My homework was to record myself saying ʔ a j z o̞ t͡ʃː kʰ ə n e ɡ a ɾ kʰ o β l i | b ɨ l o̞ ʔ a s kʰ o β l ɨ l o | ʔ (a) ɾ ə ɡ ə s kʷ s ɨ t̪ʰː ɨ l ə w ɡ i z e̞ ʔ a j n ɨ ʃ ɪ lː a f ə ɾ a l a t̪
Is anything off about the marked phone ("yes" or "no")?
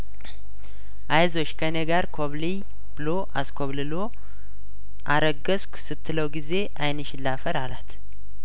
no